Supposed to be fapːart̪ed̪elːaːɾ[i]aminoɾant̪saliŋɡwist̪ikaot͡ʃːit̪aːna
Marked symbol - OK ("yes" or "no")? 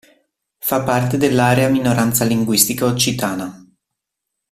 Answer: no